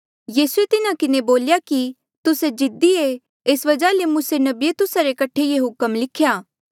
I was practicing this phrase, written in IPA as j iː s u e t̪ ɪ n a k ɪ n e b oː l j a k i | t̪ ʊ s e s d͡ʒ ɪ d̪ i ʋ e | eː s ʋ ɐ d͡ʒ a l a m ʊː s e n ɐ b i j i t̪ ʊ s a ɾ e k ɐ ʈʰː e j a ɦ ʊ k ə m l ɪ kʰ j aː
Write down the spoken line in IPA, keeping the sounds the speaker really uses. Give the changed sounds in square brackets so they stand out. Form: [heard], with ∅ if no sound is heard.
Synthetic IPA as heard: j iː s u e t̪ ɪ n a k ɪ n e b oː l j a k i | t̪ ʊ s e [∅] d͡ʒ ɪ d̪ i [∅] e | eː s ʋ ɐ d͡ʒ a l [e] m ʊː s e n ɐ b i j [e] t̪ ʊ s a ɾ e k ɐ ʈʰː e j [e] ɦ ʊ k ə m l ɪ kʰ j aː